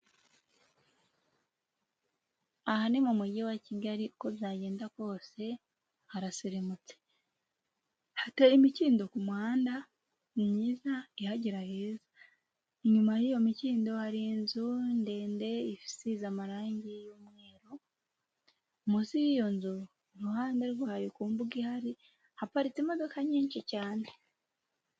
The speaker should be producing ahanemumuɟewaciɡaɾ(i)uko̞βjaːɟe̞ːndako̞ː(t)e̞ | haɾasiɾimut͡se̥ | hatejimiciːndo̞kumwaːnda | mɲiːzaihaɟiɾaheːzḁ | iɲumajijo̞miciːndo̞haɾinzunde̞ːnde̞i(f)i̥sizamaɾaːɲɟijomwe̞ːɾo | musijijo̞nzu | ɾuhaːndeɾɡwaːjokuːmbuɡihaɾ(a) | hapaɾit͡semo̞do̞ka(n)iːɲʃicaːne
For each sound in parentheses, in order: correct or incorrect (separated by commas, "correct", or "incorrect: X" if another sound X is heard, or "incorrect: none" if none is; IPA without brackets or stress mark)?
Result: correct, incorrect: s, correct, incorrect: i, incorrect: ɲ